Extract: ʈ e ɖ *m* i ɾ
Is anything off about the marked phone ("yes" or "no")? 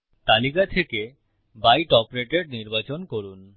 yes